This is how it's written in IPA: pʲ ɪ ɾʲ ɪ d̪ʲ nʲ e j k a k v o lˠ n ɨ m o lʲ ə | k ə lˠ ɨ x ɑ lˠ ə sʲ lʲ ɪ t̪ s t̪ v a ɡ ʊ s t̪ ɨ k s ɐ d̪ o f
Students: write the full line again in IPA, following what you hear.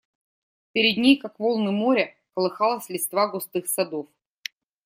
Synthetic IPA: pʲ ɪ ɾʲ ɪ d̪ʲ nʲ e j k a k v o lˠ n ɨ m o ɾʲ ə | k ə lˠ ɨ x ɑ lˠ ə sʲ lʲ ɪ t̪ s t̪ v a ɡ ʊ s t̪ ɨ x s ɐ d̪ o f

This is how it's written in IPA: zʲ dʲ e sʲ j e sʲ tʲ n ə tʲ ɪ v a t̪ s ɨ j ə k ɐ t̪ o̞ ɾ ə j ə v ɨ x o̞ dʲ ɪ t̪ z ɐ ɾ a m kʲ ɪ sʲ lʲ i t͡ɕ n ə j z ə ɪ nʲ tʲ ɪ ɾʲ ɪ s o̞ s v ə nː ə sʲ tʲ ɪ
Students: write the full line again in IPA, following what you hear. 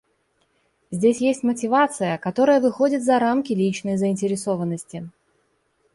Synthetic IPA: zʲ dʲ e sʲ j e sʲ tʲ m ə tʲ ɪ v a t̪ s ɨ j ə k ɐ t̪ o̞ ɾ ə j ə v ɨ x o̞ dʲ ɪ t̪ z ɐ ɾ a m kʲ ɪ lʲ i t͡ɕ n ə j z ə ɪ nʲ tʲ ɪ ɾʲ ɪ s o̞ v ə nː ə sʲ tʲ ɪ

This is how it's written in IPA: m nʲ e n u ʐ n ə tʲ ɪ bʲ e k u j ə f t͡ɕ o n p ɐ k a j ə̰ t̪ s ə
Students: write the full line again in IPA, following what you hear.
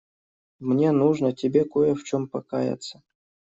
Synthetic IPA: m nʲ e n u ʐ n ə tʲ ɪ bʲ e k o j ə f t͡ɕ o m p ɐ k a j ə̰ t̪ s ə

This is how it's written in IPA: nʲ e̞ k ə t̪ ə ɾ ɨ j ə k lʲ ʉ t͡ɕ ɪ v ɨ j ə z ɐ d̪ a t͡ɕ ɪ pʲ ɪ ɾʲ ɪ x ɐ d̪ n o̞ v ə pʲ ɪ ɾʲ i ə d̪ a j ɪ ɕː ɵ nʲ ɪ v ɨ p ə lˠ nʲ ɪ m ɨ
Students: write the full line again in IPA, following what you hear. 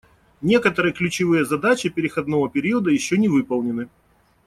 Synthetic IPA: nʲ e̞ k ə t̪ ə ɾ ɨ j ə k lʲ ʉ t͡ɕ ɪ v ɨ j ə z ɐ d̪ a t͡ɕ ɪ pʲ ɪ ɾʲ ɪ x ɐ d̪ n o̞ v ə pʲ ɪ ɾʲ i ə d̪ ə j ɪ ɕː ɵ nʲ ɪ v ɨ p ə lˠ nʲ ɪ n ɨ

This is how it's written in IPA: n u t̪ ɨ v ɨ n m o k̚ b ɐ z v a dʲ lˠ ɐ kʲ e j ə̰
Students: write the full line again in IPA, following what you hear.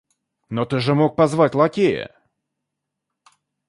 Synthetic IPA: n o t̪ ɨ ʐ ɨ m o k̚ p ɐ z v a tʲ lˠ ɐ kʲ e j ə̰

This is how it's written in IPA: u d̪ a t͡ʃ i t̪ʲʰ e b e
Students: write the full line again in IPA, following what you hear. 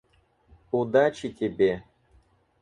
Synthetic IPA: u d̪ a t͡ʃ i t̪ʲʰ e b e

